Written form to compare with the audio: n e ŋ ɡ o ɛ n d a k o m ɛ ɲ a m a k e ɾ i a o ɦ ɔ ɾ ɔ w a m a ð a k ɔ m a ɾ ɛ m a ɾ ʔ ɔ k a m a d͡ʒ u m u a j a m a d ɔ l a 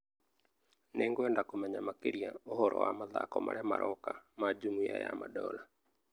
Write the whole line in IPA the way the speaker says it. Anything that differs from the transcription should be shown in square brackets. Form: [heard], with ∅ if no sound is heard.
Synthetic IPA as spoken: n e ŋ ɡ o ɛ n d a k o m ɛ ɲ a m a k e ɾ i a o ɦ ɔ ɾ ɔ w a m a ð a k ɔ m a ɾ ɛ m a ɾ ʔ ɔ k a m a d͡ʒ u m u a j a m a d ɔ l a